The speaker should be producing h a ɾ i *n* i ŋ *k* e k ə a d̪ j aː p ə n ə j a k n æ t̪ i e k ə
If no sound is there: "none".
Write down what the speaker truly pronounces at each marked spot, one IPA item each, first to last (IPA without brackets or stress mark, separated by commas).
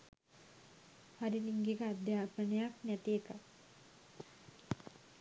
n, ɡ